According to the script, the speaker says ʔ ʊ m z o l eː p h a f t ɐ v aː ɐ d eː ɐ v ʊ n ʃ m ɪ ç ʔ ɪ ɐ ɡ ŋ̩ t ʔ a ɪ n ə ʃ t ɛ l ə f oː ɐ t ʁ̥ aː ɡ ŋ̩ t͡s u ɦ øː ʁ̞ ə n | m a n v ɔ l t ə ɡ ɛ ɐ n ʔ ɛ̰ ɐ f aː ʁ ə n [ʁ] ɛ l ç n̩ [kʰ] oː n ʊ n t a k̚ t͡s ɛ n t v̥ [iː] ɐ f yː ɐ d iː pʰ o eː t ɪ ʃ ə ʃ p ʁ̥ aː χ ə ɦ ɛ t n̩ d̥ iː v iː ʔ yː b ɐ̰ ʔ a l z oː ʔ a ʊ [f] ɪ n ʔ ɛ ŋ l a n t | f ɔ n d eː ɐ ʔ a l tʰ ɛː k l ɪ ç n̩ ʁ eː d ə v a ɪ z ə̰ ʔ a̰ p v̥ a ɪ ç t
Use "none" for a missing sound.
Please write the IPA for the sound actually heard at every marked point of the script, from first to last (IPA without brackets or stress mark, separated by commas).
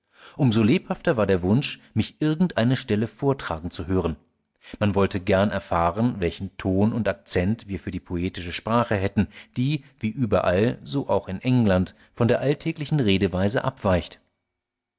v, tʰ, iː, x